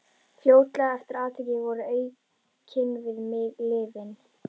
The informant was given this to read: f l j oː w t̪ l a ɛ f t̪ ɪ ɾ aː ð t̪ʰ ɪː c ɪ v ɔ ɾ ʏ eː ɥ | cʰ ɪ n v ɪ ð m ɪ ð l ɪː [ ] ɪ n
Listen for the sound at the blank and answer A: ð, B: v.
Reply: B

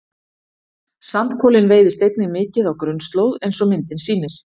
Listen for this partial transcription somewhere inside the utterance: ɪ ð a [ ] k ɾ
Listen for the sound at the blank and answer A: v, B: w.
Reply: B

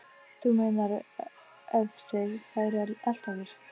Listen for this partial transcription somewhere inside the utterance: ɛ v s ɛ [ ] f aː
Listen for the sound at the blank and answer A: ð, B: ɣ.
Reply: B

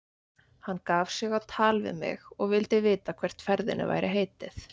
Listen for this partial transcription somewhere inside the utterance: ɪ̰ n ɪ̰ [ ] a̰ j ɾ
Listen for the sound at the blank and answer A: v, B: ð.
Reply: A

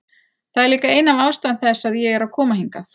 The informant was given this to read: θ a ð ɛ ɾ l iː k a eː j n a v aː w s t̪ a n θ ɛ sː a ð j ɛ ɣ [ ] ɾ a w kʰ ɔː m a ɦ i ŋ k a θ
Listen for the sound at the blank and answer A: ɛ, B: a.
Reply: A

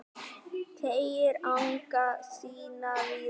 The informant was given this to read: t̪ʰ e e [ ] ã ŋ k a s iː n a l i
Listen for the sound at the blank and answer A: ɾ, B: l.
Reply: A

